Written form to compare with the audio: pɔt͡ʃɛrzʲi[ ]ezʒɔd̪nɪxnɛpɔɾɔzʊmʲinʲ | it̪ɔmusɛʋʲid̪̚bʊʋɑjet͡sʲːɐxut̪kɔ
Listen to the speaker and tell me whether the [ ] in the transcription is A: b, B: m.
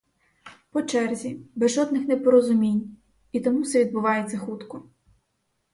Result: A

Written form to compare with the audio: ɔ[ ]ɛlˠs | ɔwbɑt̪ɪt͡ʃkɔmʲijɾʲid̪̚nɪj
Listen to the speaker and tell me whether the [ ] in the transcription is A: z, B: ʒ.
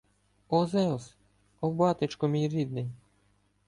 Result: A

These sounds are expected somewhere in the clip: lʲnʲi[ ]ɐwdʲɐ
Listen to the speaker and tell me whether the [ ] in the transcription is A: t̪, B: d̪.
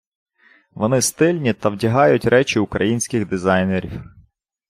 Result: A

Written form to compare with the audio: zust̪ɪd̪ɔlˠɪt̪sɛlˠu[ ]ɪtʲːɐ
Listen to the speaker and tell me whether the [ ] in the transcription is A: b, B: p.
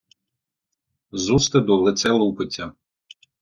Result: B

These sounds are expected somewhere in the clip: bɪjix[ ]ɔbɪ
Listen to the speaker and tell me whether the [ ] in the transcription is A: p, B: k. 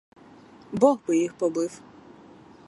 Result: A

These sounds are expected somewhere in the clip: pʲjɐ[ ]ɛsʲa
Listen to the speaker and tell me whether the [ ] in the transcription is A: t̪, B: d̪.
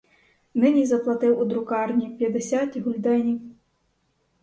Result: B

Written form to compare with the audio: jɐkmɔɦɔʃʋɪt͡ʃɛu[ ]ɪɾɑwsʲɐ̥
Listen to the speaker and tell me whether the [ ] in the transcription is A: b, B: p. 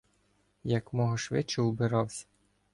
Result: A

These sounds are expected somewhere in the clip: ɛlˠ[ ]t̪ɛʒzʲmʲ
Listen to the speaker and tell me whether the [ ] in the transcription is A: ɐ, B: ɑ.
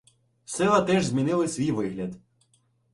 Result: A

